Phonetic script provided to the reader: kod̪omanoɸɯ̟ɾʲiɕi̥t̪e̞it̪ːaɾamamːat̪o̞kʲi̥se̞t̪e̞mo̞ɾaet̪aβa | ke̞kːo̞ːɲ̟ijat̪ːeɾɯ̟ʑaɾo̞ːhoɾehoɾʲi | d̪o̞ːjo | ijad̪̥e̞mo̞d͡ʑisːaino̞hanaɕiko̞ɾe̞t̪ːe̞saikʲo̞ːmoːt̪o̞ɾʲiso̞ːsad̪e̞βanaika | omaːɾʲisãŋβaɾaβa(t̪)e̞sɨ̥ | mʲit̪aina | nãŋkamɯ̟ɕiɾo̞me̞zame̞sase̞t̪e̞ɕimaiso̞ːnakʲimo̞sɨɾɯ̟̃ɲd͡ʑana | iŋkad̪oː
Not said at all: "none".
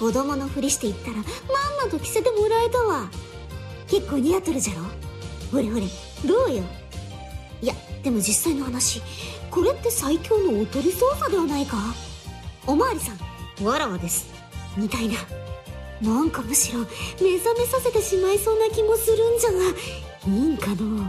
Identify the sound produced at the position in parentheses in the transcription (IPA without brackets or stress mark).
d̪